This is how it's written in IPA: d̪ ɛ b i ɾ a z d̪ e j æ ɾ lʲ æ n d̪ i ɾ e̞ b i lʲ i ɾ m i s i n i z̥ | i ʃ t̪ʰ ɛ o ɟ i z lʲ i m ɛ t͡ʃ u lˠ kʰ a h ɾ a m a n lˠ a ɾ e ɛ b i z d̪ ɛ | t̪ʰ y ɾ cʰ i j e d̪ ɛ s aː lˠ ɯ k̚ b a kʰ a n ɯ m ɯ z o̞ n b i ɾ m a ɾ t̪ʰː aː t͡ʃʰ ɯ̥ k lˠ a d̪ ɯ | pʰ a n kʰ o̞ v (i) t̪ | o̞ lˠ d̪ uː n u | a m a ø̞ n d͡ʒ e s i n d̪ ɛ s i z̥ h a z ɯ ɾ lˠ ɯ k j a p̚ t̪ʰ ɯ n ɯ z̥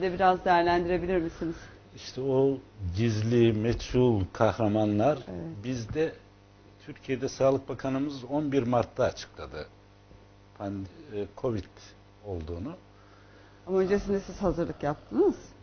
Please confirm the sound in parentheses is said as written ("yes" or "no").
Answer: yes